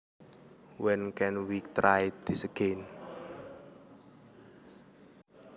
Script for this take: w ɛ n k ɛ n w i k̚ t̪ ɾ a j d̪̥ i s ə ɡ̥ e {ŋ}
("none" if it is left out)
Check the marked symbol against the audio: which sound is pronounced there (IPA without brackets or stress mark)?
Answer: n